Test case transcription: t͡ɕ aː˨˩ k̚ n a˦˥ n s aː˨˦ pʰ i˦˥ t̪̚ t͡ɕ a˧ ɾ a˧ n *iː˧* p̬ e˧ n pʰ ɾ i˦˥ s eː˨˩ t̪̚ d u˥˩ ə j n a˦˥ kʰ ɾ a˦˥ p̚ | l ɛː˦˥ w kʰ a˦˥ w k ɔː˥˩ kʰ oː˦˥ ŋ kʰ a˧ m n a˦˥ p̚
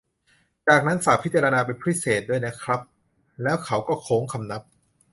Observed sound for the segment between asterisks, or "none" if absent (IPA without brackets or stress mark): aː˧